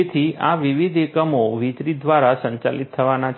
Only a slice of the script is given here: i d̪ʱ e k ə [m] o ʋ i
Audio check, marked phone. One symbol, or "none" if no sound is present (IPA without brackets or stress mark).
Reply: m